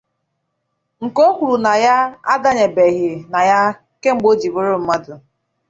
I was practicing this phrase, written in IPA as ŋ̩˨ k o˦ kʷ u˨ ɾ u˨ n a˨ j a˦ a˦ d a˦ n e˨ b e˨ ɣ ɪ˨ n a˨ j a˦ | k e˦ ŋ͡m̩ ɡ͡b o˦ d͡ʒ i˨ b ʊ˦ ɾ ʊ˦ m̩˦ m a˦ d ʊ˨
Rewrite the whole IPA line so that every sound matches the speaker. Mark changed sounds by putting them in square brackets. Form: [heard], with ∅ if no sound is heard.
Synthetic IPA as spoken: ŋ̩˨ k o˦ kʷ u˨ ɾ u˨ n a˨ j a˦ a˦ d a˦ [ɲ] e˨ b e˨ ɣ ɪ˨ n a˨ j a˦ | k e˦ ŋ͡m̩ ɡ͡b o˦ d͡ʒ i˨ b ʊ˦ ɾ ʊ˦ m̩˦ m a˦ d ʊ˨